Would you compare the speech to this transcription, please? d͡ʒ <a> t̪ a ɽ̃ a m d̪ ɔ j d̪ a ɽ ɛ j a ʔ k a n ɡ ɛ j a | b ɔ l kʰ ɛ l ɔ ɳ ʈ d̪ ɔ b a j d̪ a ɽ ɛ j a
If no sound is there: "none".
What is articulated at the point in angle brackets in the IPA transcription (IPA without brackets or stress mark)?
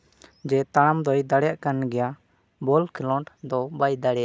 ɛ